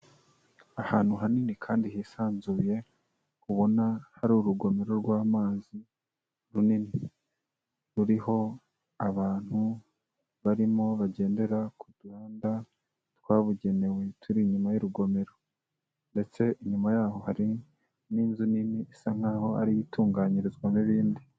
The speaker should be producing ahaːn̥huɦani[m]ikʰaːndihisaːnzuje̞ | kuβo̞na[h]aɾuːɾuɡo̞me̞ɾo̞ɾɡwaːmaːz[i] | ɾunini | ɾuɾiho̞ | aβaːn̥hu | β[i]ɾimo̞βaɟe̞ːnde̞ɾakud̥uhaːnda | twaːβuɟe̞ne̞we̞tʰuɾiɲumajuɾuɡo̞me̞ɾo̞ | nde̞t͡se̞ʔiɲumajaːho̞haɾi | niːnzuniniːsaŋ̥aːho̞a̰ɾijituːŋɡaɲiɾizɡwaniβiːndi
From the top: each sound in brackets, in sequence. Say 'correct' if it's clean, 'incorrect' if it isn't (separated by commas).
incorrect, correct, correct, incorrect